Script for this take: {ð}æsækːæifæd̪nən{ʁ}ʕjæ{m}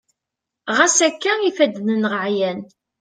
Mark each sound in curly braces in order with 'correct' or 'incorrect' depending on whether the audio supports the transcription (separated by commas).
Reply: incorrect, correct, incorrect